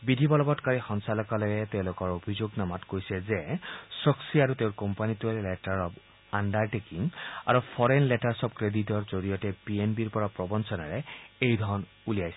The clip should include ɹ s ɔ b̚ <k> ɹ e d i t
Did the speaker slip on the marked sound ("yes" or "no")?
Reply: no